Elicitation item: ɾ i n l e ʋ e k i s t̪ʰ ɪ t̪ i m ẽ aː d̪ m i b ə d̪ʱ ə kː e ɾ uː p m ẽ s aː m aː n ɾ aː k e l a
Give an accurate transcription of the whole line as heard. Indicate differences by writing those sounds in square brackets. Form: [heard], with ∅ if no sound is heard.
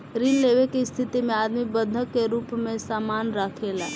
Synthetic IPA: ɾ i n l e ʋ e k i s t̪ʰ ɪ t̪ i m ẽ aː d̪ m i b ə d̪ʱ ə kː e ɾ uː p m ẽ s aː m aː n ɾ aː [kʰ] e l a